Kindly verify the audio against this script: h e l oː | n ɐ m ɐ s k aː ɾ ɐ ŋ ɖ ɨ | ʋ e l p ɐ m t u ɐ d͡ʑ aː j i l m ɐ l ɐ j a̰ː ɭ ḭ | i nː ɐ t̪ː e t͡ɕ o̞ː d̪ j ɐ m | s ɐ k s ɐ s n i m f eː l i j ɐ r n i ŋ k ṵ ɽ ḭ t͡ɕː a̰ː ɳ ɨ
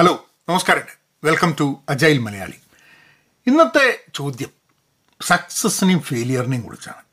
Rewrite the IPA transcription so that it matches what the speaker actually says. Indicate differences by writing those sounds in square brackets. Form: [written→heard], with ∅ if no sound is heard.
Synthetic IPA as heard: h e l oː | n ɐ m ɐ s k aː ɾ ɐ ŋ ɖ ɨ | ʋ e l [p→k] ɐ m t u ɐ d͡ʑ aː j i l m ɐ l ɐ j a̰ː ɭ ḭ | i nː ɐ t̪ː e t͡ɕ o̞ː d̪ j ɐ m | s ɐ k s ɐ s n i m f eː l i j ɐ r n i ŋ k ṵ ɽ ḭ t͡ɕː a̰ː ɳ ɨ